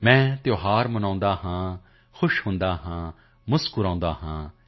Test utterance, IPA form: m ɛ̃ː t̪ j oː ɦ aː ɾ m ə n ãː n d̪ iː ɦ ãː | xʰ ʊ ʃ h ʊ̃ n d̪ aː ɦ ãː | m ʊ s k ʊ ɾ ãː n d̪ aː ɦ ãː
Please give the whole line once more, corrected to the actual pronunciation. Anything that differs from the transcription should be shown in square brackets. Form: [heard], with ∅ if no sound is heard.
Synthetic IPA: m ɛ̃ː t̪ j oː ɦ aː ɾ m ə n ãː n d̪ [aː] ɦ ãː | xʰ ʊ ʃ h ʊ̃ n d̪ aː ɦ ãː | m ʊ s k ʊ ɾ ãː n d̪ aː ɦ ãː